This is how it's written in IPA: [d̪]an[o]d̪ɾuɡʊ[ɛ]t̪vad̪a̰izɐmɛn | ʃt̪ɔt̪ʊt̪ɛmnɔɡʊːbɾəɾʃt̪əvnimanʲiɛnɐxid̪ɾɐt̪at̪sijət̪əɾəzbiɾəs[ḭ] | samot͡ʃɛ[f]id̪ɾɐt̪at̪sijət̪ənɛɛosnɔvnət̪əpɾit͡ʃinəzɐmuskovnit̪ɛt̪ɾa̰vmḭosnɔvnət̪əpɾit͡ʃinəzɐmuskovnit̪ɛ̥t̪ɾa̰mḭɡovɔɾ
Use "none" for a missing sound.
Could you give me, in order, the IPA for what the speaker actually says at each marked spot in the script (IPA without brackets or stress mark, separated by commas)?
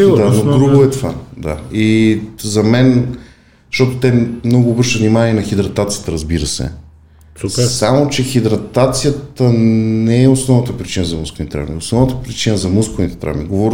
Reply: d̪, o, ɛ, ɛ̰, x